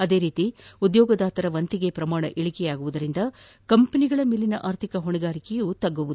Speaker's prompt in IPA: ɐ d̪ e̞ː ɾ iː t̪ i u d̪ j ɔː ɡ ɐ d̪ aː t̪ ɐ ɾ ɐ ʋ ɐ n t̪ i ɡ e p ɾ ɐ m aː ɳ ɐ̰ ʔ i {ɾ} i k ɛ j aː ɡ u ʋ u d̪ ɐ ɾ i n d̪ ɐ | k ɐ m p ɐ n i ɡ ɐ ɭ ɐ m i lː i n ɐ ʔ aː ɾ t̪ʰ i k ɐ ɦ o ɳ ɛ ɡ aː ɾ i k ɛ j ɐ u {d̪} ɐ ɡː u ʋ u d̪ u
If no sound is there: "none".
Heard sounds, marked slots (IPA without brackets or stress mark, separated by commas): ɭ, t̪